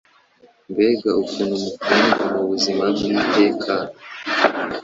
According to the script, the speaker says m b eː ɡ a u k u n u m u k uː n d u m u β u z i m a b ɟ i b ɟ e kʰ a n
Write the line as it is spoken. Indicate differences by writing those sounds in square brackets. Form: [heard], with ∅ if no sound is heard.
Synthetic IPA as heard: m b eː ɡ a u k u n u m u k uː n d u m u β u z i m a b [ɡ] i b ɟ e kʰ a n